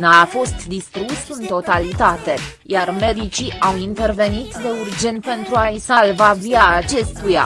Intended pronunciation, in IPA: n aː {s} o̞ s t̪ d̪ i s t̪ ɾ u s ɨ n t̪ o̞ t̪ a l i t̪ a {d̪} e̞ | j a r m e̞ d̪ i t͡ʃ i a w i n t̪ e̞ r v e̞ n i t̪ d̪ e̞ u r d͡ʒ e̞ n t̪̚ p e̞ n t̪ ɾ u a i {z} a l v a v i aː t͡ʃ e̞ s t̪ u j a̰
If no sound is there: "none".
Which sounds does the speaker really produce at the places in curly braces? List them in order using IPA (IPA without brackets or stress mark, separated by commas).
f, t̪, s